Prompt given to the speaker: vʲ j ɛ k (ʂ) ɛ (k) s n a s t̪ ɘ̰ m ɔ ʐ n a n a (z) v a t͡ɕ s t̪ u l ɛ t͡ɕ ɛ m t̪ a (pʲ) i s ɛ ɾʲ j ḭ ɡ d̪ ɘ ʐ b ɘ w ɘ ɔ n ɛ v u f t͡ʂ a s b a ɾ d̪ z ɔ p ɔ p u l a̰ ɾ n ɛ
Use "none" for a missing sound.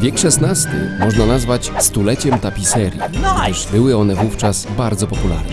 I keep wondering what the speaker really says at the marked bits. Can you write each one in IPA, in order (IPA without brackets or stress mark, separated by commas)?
ʂ, none, z, pʲ